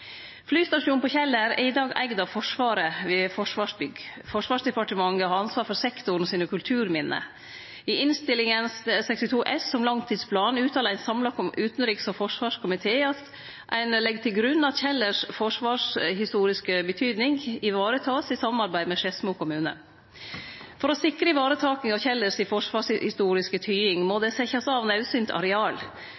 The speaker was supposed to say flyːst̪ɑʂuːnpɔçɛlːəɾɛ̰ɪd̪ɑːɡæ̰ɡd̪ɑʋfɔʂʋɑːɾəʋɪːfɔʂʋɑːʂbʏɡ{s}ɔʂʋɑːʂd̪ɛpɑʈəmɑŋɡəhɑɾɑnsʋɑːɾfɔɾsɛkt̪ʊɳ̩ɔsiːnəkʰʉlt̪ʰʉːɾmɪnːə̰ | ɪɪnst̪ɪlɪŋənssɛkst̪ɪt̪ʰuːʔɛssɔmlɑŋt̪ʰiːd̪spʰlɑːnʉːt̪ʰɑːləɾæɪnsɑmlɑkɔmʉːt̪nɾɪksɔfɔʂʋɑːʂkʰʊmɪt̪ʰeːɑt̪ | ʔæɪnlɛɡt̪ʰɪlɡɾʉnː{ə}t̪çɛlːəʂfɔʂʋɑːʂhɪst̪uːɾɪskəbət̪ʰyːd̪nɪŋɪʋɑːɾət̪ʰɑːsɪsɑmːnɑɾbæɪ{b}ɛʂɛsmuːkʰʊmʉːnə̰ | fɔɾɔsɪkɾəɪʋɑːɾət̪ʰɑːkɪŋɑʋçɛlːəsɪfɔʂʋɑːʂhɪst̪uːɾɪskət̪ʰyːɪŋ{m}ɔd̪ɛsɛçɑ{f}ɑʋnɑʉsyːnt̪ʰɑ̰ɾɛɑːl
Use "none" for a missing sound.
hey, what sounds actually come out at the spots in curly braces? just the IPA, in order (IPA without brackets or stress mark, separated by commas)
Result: f, ɑ, m, m, s